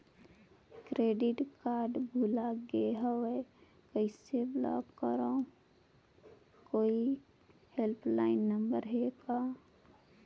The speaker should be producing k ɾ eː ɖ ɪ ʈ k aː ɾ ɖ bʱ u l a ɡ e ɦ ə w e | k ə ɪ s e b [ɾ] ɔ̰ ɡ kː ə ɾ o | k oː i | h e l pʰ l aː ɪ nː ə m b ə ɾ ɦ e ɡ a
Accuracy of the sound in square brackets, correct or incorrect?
incorrect